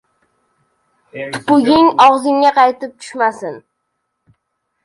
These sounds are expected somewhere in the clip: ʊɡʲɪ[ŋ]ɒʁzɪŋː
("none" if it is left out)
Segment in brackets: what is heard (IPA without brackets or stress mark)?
ŋ